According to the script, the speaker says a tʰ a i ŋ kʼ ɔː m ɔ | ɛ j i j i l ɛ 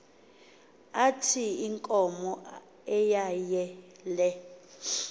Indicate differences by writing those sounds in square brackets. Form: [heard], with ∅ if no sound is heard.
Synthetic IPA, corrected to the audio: a tʰ [i] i ŋ kʼ [ɔ] m ɔ | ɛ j [a] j [ɛ] l ɛ